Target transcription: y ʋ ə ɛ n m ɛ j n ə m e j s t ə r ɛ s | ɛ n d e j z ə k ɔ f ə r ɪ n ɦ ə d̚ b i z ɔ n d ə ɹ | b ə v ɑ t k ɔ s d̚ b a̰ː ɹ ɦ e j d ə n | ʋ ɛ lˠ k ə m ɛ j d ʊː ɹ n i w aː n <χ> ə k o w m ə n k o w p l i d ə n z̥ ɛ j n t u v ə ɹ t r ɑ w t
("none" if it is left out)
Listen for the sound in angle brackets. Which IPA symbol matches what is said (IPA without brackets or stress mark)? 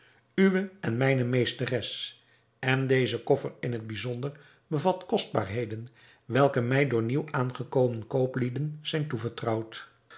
χ